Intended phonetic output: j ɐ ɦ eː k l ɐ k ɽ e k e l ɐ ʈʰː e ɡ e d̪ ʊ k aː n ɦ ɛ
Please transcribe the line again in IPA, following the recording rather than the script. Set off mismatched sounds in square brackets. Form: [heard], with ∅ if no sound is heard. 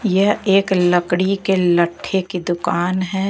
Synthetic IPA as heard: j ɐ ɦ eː k l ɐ k ɽ [i] k e l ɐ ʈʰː e [k] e d̪ ʊ k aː n ɦ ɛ

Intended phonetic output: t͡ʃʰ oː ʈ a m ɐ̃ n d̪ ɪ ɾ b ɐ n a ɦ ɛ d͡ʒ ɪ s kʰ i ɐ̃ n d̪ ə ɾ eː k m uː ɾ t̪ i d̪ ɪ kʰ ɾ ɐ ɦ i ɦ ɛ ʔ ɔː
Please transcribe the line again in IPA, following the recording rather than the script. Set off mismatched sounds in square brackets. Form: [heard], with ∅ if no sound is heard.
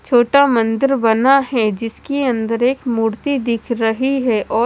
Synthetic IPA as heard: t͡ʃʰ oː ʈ a m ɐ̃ n d̪ ɪ ɾ b ɐ n a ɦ ɛ d͡ʒ ɪ s [k] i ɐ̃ n d̪ ə ɾ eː k m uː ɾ t̪ i d̪ ɪ kʰ ɾ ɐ ɦ i ɦ ɛ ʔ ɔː

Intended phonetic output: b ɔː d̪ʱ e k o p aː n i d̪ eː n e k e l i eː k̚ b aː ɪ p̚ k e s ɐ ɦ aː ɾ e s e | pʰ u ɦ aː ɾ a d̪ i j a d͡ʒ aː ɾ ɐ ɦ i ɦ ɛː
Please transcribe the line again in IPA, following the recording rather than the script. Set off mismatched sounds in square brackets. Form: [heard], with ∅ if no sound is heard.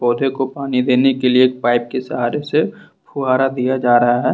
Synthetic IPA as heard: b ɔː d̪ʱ e k o p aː n i d̪ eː n e k e l i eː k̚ [p] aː ɪ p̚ k e s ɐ ɦ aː ɾ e s e | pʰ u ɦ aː ɾ a d̪ i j a d͡ʒ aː ɾ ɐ ɦ [a] ɦ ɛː

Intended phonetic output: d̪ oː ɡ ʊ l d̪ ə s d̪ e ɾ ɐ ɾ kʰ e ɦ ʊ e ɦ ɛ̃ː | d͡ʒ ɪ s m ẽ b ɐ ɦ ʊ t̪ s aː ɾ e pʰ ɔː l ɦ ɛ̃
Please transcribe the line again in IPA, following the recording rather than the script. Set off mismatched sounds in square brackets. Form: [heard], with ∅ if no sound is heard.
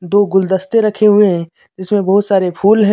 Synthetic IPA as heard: d̪ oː ɡ ʊ l d̪ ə s [t̪] e ɾ ɐ [∅] kʰ e ɦ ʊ e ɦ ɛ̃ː | d͡ʒ ɪ s m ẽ b ɐ ɦ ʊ t̪ s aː ɾ e pʰ [uː] l ɦ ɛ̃

